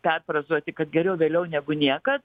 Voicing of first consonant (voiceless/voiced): voiceless